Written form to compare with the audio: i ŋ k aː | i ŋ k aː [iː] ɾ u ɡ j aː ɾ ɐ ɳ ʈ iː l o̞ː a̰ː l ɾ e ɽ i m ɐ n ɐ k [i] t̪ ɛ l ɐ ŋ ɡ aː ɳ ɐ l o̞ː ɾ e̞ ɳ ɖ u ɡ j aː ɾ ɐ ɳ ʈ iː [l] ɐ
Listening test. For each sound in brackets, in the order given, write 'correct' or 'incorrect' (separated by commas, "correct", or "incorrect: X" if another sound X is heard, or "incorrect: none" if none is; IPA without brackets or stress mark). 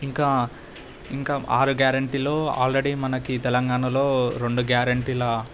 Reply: incorrect: aː, correct, correct